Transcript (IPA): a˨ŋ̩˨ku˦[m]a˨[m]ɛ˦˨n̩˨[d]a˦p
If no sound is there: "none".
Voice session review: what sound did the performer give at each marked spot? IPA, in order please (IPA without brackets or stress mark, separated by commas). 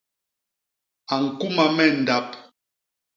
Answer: m, m, d